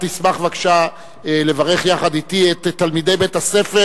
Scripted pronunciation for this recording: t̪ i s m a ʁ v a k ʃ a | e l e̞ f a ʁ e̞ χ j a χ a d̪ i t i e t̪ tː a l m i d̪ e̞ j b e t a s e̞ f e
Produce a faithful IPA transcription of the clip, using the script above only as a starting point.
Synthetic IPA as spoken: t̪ i s m a χ v a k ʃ a | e l e̞ v a ʁ e̞ χ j a χ a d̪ i t i e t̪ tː a l m i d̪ e̞ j b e t a s e̞ f e